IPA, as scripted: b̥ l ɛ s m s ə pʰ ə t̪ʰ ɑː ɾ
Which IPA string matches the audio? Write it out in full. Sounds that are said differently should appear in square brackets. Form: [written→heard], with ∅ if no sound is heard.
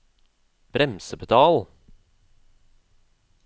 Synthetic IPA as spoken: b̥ [l→ɾ] ɛ [s→∅] m s ə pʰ ə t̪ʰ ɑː [ɾ→l]